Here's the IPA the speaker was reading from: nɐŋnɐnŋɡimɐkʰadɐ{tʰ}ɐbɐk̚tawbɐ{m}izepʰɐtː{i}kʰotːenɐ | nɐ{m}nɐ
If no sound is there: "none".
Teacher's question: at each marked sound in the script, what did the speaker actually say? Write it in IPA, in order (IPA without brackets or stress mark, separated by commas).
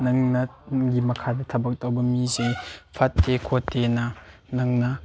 tʰ, m, e, ŋ